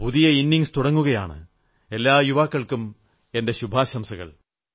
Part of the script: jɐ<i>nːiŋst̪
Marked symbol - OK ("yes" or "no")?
yes